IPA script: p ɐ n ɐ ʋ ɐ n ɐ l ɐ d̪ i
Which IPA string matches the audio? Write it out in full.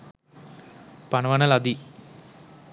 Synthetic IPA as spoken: p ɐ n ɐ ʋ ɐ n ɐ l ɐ d̪ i

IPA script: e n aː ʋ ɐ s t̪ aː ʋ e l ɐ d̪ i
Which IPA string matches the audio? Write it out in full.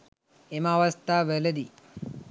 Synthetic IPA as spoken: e m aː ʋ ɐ s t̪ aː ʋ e l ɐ d̪ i

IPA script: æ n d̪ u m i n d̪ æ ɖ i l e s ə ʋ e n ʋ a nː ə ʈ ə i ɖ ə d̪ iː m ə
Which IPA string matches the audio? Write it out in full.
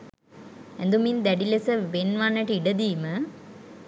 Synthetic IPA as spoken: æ n d̪ u m i n d̪ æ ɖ i l e s ə ʋ e n ʋ a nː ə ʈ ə i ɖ ə d̪ iː m ə

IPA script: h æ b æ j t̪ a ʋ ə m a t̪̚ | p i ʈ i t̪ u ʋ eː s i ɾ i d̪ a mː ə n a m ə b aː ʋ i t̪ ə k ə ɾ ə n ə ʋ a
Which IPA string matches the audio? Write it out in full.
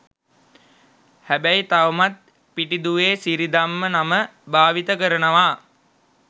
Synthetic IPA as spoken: h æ b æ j t̪ a ʋ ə m a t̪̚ | p i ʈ i d̪ u ʋ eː s i ɾ i d̪ a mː ə n a m ə b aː ʋ i t̪ ə k ə ɾ ə n ə ʋ a

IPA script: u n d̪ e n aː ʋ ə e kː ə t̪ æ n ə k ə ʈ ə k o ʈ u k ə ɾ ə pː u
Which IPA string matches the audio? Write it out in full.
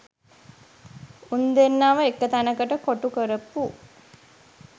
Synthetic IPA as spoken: u n d̪ e nː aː ʋ ə e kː ə t̪ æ n ə k ə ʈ ə k o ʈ u k ə ɾ ə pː u

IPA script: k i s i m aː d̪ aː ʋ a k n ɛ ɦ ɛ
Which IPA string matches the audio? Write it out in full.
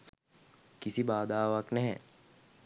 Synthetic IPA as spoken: k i s i b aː d̪ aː ʋ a k n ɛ ɦ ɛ

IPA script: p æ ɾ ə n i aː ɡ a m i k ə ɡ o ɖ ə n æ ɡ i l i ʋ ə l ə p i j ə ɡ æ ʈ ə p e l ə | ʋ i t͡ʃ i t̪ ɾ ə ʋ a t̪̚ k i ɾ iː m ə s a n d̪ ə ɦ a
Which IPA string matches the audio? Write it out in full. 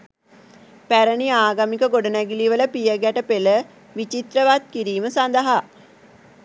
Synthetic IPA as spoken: p æ ɾ ə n i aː ɡ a m i k ə ɡ o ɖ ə n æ ɡ i l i ʋ ə l ə p i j ə ɡ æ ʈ ə p e l ə | ʋ i t͡ʃ i t̪ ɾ ə ʋ a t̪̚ k i ɾ iː m ə s a n d̪ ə ɦ a

